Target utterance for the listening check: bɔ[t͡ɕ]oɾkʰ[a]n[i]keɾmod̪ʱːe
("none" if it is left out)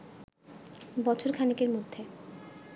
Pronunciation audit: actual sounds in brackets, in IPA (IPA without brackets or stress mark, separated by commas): t͡ɕʰ, a, i